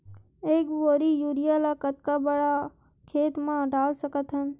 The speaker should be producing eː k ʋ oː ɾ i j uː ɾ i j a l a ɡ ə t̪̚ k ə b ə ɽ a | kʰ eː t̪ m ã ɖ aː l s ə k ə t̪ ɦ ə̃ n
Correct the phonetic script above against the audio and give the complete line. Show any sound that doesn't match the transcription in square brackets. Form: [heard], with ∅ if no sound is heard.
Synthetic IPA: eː k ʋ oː ɾ i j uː ɾ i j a l a [k] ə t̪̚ k [a] b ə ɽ a | kʰ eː t̪ m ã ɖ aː l s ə k ə t̪ ɦ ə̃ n

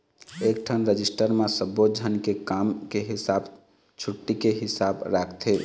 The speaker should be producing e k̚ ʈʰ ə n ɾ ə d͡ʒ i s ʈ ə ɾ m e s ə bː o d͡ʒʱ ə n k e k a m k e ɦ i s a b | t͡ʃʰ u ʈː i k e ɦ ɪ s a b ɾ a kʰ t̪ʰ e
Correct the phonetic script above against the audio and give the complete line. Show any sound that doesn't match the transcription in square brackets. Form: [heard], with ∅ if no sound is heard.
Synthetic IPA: e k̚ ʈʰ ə n ɾ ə d͡ʒ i s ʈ ə ɾ m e s ə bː o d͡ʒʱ ə n k e k a m k e ɦ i s a b | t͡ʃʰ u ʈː i k e ɦ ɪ s a b ɾ a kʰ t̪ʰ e

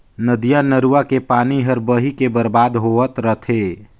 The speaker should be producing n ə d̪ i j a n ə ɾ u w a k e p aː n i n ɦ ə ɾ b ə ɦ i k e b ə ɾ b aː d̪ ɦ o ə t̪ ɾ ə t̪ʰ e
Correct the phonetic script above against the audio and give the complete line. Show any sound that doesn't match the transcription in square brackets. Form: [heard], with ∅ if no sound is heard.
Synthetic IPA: n ə d̪ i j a n ə ɾ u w a k e p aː n i [∅] ɦ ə ɾ b ə ɦ i k e b ə ɾ b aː d̪ ɦ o ə t̪ ɾ ə t̪ʰ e

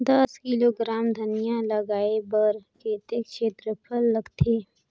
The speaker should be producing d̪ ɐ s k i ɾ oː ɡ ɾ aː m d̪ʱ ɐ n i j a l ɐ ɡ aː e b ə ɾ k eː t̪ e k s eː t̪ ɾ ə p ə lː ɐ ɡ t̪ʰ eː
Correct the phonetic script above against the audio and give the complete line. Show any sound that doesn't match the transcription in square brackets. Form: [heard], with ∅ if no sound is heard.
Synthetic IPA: d̪ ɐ s k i [l] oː ɡ ɾ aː m d̪ʱ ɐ n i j a l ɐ ɡ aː e b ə ɾ k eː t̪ e k [ʃ] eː t̪ ɾ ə [pʰ] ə lː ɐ ɡ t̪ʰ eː

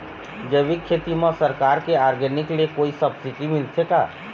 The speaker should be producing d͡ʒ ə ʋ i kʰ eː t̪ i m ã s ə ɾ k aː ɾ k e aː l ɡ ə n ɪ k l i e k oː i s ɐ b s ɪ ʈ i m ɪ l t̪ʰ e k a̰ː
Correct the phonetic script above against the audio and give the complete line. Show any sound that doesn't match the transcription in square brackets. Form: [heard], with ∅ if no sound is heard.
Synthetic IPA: d͡ʒ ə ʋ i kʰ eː t̪ i m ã s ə ɾ k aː ɾ k e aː [ɾ] ɡ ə n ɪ k l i e k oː i s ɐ b s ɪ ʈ i m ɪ l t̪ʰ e k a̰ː

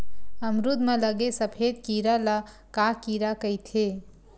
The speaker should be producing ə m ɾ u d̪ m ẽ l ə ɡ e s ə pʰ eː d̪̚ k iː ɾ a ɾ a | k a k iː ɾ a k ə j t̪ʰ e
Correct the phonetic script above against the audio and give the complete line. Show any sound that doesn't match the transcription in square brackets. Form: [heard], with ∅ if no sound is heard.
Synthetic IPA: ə m ɾ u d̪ m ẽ l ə ɡ e s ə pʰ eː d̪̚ k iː ɾ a [l] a | k a k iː ɾ a k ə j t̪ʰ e

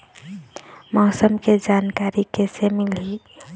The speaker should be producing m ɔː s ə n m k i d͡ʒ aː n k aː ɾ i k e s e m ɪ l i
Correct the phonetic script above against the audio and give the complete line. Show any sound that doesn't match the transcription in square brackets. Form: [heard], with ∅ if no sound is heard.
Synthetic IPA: m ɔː s ə [∅] m k [e] d͡ʒ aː n k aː ɾ i k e s e m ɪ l i

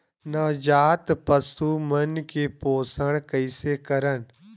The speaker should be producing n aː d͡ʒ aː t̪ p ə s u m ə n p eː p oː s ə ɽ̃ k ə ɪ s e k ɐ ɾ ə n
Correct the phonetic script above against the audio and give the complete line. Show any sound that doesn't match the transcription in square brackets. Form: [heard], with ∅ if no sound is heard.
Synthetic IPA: n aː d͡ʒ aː t̪ p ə s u m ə n [k] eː p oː s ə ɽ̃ k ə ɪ s e k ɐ ɾ ə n

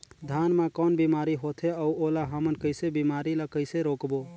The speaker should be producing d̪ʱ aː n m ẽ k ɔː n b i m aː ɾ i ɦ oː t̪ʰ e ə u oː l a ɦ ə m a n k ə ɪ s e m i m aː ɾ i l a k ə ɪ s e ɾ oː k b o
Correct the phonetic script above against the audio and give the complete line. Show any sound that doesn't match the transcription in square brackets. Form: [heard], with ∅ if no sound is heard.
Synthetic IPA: d̪ʱ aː n m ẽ k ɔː n b i m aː ɾ i ɦ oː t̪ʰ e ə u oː l a ɦ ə m [ə] n k ə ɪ s e [b] i m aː ɾ i l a k ə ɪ s e ɾ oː k b o

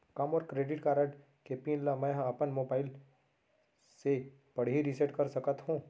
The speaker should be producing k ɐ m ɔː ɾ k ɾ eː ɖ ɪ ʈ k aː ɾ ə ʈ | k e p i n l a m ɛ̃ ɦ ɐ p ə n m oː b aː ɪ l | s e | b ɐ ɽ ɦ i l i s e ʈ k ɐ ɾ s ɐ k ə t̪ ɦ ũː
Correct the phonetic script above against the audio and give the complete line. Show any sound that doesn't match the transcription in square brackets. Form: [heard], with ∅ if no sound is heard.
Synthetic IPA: k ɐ m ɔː ɾ k ɾ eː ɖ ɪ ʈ k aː ɾ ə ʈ | k e p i n l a m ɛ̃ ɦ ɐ p ə n m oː b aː ɪ l | s e | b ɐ ɽ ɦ i [ɾ] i s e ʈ k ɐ ɾ s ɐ k ə t̪ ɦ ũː

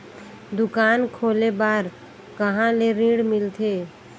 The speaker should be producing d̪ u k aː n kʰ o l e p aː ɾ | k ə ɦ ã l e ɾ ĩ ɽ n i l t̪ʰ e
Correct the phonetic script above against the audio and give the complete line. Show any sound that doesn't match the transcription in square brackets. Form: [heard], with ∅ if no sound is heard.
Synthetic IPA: d̪ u k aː n kʰ o l e [b] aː ɾ | k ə ɦ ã l e ɾ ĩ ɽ [m] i l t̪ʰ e

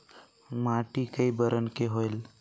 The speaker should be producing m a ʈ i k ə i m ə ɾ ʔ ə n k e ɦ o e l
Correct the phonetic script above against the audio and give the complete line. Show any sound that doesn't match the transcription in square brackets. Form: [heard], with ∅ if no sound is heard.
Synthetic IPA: m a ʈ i k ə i [b] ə ɾ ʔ ə n k e ɦ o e l

